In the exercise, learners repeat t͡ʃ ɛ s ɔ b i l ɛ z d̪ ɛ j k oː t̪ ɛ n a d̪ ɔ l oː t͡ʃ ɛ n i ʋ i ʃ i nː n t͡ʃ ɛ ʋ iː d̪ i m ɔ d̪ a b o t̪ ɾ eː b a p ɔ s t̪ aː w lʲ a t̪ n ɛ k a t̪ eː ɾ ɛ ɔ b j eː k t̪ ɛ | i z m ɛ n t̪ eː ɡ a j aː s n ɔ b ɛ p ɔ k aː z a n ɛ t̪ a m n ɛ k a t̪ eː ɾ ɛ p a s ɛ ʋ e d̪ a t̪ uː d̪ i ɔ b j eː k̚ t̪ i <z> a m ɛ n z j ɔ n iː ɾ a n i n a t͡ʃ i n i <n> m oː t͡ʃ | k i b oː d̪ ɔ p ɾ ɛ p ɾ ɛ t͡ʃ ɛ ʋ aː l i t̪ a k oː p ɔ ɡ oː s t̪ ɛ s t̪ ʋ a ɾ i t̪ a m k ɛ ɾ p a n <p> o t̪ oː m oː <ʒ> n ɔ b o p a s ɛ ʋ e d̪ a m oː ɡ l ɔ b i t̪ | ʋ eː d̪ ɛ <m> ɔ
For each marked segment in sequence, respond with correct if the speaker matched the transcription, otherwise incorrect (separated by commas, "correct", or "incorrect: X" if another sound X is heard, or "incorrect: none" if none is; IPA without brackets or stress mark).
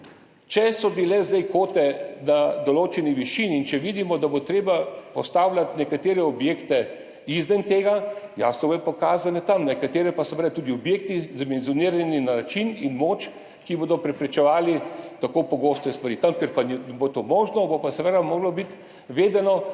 correct, correct, incorrect: b, correct, incorrect: n